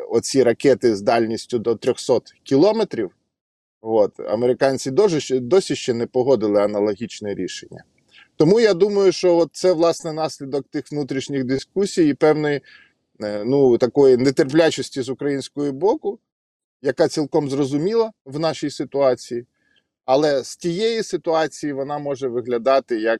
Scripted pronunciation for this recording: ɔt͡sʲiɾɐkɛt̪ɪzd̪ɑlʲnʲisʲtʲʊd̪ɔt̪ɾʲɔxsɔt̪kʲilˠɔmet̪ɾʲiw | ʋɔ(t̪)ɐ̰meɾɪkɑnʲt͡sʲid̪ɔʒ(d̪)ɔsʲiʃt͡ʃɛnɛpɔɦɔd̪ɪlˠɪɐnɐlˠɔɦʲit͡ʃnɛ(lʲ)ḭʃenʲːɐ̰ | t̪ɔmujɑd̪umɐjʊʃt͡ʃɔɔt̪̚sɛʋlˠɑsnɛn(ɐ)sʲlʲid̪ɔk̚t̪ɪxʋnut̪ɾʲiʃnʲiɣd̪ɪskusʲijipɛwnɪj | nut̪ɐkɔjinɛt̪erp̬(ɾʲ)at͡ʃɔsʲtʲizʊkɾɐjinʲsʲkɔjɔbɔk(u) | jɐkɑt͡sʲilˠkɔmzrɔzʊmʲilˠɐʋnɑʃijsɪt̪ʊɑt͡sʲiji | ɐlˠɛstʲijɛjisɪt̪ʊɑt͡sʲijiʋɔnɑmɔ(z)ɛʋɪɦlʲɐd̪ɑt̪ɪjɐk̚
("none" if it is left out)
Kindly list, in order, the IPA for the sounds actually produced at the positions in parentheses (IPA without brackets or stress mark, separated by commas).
t̪, d̪, ɾʲ, ɑ, lʲ, ʊ, ʒ